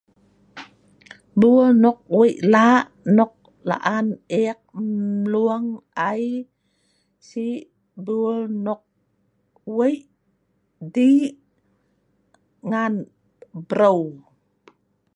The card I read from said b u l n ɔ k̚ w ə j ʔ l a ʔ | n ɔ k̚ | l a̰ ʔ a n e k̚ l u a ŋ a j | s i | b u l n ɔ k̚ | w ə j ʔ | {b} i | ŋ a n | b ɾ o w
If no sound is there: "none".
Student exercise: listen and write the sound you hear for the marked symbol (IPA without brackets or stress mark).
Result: d